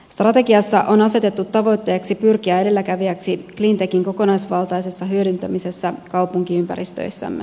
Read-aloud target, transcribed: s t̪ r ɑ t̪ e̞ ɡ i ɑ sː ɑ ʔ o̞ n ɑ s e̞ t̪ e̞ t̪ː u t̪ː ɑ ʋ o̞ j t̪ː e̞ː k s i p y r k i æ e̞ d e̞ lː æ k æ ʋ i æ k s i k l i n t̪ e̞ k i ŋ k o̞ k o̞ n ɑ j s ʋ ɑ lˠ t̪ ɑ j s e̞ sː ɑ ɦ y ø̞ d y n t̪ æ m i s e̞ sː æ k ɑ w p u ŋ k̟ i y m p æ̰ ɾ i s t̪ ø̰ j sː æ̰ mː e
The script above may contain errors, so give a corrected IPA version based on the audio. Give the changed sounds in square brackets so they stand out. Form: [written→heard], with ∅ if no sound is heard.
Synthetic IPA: s t̪ r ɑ t̪ e̞ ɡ i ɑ sː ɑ ʔ o̞ n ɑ s e̞ t̪ e̞ t̪ː u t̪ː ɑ ʋ o̞ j t̪ː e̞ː k s i p y r k i æ e̞ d e̞ lː æ k æ ʋ i æ k s i k l i n t̪ e̞ k i ŋ k o̞ k o̞ n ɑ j s ʋ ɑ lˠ t̪ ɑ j s e̞ sː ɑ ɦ y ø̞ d y n t̪ æ m i s e̞ sː æ k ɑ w p u ŋ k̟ i y m p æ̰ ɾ i s t̪ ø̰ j sː æ̰ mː e